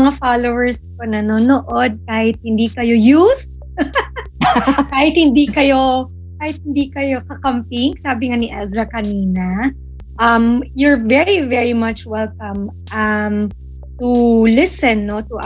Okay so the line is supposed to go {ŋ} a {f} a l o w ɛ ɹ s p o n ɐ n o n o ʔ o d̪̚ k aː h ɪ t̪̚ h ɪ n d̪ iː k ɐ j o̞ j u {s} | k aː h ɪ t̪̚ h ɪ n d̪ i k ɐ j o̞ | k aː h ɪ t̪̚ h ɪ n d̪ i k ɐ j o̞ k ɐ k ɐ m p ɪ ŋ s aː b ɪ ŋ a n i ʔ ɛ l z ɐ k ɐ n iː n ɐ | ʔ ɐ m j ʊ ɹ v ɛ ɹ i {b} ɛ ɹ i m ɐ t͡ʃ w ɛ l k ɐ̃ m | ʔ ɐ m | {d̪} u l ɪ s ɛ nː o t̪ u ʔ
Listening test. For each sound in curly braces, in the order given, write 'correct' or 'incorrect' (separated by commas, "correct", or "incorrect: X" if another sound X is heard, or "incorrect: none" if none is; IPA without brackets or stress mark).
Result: correct, correct, incorrect: θ, incorrect: v, incorrect: t̪